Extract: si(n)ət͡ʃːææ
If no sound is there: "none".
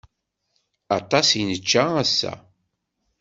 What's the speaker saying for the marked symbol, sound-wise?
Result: n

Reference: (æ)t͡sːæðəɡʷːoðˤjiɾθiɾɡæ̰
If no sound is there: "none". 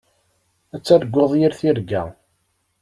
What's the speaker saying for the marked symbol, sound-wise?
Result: æ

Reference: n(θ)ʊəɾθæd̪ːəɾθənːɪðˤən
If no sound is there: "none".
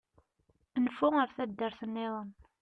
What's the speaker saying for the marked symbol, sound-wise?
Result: f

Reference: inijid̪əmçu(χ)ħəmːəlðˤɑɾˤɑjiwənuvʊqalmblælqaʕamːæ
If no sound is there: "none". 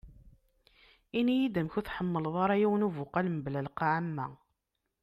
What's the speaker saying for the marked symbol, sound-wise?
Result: θ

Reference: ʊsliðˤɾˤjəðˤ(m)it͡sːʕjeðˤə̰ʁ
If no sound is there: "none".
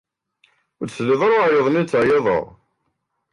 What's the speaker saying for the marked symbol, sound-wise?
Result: n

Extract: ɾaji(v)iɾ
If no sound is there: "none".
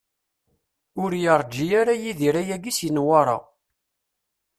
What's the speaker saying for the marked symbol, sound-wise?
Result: ð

